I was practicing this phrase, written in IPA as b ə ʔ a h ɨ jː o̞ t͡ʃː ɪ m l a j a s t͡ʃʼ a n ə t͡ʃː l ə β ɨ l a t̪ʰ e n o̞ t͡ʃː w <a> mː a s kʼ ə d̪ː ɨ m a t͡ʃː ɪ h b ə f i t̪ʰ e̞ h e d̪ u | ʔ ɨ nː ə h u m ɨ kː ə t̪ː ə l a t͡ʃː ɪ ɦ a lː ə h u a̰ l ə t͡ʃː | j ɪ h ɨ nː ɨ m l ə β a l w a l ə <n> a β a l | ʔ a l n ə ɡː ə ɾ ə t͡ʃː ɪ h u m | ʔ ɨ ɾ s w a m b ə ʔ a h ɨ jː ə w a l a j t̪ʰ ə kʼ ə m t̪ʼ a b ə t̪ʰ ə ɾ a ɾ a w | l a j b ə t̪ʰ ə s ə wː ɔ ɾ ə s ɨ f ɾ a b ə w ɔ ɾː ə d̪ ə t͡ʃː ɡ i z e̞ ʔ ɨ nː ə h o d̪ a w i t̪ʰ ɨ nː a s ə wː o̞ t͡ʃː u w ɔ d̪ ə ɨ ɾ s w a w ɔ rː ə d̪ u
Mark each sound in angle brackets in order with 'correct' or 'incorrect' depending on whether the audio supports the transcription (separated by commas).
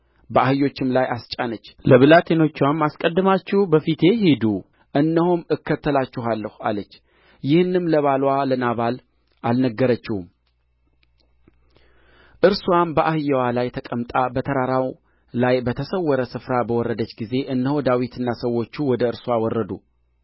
correct, correct